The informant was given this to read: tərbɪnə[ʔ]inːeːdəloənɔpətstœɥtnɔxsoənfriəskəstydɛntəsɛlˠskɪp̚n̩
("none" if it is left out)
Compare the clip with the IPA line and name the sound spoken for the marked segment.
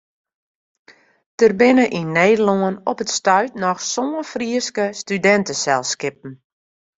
ʔ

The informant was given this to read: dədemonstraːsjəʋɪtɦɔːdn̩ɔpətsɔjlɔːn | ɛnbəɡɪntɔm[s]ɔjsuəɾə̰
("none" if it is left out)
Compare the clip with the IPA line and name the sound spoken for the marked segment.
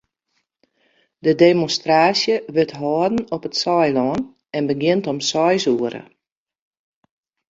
s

